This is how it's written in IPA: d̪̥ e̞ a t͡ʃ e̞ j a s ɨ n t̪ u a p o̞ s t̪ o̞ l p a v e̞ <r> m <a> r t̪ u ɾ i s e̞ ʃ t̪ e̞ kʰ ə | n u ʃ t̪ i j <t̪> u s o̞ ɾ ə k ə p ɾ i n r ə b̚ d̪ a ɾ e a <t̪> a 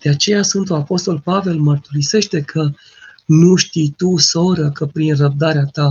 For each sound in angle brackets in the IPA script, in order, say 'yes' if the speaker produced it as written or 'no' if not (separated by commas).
no, no, yes, yes